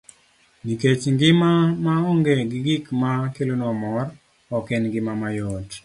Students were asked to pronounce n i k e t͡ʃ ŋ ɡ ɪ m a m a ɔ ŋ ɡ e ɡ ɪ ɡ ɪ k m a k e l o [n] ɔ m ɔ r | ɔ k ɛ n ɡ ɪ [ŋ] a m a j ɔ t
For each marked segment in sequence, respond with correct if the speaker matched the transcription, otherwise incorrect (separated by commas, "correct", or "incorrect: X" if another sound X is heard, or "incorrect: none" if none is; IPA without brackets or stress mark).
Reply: correct, incorrect: m